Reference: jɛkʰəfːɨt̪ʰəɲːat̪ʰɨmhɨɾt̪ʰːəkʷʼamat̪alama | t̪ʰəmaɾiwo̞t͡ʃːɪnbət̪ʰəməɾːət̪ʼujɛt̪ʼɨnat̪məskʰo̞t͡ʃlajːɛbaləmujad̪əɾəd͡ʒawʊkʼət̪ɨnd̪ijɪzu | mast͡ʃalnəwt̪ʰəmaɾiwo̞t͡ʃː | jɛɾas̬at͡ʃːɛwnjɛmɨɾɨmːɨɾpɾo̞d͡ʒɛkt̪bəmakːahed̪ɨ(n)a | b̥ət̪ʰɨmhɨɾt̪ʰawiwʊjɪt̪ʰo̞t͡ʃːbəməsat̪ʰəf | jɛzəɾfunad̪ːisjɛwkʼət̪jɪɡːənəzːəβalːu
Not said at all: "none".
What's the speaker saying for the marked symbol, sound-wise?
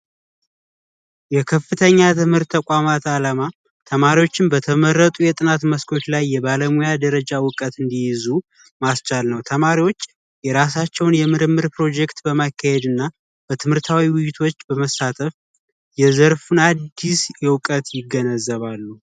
nː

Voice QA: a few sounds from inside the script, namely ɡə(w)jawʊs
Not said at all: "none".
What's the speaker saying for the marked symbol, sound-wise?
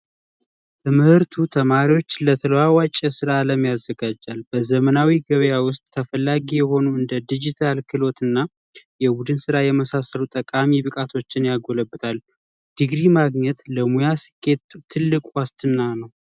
β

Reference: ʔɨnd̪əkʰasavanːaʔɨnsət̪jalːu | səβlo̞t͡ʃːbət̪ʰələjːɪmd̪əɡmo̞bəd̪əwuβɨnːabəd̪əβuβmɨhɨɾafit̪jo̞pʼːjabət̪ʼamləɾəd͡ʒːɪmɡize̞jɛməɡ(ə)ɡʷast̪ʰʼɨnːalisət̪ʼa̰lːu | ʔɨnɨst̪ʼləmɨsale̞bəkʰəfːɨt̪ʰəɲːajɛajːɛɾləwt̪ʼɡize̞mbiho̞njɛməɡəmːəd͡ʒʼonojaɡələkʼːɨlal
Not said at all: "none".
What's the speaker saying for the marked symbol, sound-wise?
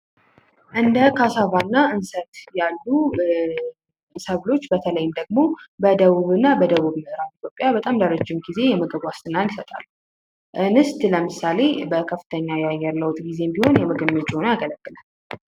ə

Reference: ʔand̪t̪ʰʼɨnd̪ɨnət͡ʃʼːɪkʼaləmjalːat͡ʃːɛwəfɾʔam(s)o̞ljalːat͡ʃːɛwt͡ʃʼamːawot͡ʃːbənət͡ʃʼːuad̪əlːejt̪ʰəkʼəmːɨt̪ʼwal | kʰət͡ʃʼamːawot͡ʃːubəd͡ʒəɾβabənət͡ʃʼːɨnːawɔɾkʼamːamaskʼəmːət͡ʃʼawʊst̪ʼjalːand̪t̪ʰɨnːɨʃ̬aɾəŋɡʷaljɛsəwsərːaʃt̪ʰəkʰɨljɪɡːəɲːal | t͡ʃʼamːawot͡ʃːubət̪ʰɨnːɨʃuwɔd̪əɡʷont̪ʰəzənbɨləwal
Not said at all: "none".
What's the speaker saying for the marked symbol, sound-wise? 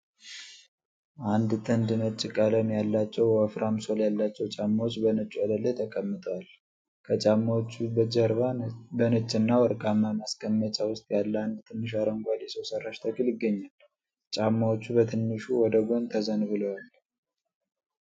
s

